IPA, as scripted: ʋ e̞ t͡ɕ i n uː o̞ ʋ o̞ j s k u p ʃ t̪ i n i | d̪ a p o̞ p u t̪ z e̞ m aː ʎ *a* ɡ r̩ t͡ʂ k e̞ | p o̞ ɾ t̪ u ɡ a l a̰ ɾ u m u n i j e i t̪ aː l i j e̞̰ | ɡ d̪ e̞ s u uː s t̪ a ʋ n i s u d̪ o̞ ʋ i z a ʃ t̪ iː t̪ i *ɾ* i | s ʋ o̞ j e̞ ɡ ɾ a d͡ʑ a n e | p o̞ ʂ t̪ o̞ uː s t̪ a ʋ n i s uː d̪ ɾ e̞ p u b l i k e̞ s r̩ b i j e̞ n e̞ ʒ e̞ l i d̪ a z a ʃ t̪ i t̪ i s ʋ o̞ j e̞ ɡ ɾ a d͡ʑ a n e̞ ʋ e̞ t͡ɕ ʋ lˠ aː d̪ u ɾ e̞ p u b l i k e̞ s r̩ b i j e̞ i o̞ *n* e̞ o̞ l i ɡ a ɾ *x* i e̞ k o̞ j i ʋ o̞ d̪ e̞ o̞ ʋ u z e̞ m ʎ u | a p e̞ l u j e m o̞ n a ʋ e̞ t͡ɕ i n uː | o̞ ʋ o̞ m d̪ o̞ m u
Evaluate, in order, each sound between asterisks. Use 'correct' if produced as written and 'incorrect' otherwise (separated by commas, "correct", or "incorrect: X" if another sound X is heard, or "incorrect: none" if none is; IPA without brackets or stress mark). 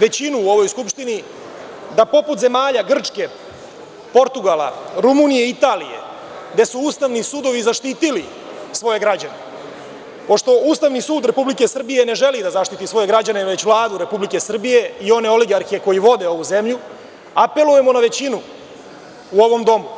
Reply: correct, incorrect: l, correct, correct